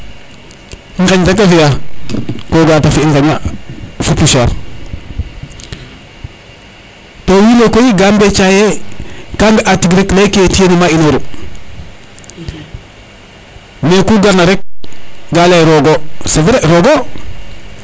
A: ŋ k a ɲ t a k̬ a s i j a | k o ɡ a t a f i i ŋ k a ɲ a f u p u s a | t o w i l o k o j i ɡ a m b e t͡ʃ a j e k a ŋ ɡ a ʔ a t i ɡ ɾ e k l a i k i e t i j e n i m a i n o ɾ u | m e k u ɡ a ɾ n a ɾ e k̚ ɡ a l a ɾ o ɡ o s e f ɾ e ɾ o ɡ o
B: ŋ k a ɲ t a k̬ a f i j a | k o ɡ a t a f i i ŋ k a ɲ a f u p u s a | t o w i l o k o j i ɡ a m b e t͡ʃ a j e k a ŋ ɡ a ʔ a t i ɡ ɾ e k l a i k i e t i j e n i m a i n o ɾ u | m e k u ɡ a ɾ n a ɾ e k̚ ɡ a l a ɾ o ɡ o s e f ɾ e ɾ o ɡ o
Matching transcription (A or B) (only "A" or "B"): B